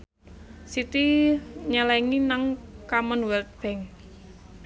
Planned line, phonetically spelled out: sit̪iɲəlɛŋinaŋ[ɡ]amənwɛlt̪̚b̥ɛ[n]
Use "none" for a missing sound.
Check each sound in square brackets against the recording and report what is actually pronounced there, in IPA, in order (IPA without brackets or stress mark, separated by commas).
k, ŋ